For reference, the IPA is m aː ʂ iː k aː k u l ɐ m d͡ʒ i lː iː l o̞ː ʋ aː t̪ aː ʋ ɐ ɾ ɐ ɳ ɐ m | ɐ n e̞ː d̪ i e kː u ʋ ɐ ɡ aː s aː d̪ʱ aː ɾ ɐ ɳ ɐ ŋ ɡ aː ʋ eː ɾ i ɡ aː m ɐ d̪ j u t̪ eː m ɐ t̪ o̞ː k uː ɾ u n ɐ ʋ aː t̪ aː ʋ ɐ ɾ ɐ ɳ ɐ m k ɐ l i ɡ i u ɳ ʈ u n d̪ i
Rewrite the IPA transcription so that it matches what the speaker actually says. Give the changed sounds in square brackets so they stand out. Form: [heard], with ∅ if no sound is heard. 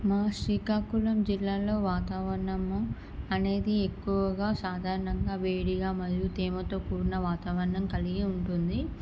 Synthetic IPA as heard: m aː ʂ iː k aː k u l ɐ m d͡ʒ i lː [aː] l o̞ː ʋ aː t̪ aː ʋ ɐ ɾ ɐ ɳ ɐ m | ɐ n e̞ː d̪ i e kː u ʋ ɐ ɡ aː s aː d̪ʱ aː ɾ ɐ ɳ ɐ ŋ ɡ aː ʋ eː [ɽ] i ɡ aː m ɐ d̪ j u t̪ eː m ɐ t̪ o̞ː k uː ɾ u n ɐ ʋ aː t̪ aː ʋ ɐ ɾ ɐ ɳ ɐ m k ɐ l i ɡ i u ɳ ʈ u n d̪ i